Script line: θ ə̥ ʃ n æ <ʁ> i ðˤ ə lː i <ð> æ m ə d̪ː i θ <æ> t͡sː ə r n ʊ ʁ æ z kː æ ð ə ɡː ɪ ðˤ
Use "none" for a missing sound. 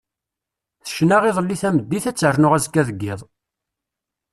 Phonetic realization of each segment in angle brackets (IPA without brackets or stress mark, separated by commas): ʁ, θ, æ